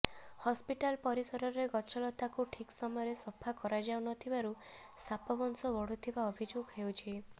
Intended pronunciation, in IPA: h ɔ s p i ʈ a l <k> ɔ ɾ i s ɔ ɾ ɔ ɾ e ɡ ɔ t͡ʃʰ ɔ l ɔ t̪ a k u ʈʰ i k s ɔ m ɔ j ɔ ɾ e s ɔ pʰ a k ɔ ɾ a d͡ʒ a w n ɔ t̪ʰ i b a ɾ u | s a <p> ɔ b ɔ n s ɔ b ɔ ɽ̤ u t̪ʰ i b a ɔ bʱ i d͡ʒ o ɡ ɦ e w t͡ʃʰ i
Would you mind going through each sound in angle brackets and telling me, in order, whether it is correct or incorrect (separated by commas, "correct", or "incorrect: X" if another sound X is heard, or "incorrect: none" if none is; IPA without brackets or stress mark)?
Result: incorrect: p, correct